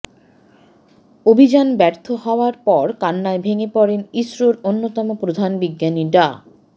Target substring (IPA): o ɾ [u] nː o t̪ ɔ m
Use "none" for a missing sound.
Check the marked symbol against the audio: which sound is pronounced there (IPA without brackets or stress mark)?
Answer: o